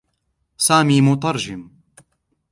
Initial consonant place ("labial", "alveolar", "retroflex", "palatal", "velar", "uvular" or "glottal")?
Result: alveolar